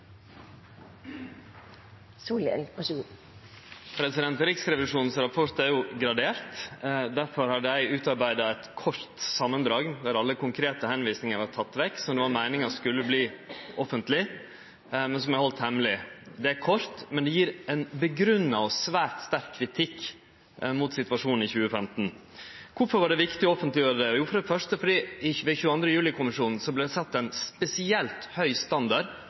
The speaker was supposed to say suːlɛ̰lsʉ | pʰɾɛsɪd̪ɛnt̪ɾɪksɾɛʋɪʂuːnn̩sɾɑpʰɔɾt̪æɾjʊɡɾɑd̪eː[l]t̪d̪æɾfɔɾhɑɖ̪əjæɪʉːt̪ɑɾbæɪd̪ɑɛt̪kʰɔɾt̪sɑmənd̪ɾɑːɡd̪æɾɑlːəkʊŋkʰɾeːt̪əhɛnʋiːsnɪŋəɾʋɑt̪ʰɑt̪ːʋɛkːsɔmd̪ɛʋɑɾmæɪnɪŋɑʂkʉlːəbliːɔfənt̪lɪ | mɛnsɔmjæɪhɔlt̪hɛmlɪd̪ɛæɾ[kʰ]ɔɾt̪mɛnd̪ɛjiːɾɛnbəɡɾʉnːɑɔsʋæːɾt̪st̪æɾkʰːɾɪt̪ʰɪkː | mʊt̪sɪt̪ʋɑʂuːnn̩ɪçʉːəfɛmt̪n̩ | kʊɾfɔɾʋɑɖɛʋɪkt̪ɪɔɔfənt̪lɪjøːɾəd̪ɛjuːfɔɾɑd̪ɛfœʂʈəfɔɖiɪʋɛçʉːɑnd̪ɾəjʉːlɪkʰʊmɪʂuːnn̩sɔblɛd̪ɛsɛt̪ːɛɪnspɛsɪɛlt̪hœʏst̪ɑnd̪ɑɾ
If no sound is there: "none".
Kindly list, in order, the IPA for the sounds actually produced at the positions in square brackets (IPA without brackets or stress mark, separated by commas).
ɾ, kʰ